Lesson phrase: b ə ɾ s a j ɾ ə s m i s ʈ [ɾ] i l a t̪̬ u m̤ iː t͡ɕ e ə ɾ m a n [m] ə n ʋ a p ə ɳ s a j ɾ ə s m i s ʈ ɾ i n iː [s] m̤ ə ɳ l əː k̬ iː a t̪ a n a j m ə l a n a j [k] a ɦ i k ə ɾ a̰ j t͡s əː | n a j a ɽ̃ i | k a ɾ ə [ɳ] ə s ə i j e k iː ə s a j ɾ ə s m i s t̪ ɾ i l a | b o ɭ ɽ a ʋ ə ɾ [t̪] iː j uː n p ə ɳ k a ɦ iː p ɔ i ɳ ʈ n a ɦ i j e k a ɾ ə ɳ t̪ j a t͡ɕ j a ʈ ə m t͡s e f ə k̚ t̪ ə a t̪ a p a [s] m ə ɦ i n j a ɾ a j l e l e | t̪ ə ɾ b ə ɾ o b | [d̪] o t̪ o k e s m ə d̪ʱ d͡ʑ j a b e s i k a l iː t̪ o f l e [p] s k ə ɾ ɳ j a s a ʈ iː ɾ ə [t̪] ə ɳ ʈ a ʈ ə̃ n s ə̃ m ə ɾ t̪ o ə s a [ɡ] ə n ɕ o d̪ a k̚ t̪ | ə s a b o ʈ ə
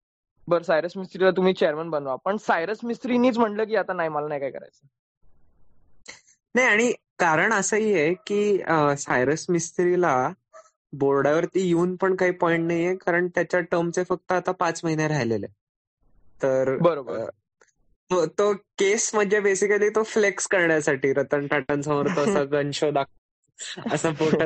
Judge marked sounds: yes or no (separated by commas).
yes, no, no, yes, yes, yes, no, no, no, yes, yes